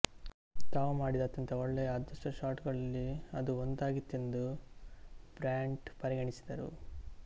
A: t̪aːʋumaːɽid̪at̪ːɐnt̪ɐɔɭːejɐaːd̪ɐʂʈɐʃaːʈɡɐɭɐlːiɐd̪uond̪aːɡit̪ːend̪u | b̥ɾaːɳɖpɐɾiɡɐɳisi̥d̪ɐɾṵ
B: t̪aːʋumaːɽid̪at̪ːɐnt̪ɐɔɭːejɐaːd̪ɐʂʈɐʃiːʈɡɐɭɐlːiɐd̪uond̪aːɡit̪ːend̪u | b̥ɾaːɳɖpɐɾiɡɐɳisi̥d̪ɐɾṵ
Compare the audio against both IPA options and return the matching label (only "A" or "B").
A